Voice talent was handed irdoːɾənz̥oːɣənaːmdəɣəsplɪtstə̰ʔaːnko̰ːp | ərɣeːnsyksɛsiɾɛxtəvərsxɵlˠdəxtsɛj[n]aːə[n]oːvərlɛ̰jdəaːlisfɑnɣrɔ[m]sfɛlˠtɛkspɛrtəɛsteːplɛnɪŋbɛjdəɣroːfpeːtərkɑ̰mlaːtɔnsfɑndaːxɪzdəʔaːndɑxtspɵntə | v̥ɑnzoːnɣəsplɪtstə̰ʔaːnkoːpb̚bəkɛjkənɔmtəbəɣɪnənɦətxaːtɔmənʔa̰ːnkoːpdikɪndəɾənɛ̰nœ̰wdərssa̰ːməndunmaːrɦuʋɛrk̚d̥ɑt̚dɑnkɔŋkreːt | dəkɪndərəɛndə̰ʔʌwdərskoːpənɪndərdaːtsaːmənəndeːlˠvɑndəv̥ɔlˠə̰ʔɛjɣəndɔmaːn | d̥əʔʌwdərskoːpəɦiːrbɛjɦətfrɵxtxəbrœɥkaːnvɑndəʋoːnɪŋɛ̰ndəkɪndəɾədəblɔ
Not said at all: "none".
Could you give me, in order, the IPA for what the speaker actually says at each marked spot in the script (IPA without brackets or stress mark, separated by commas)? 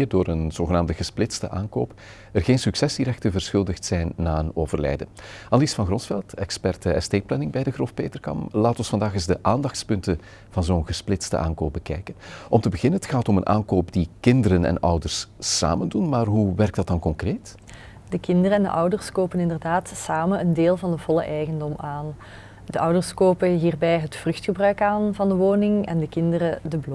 nː, n, n